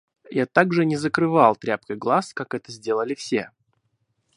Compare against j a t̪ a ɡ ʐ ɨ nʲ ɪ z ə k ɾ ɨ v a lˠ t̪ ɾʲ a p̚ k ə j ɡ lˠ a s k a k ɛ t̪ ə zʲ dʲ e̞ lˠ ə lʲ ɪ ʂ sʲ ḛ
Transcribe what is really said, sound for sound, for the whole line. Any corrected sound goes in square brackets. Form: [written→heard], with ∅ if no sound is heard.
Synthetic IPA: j a t̪ a ɡ ʐ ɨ nʲ ɪ z ə k ɾ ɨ v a lˠ t̪ ɾʲ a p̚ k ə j ɡ lˠ a s k a k ɛ t̪ ə zʲ dʲ e̞ lˠ ə lʲ ɪ [ʂ→f] sʲ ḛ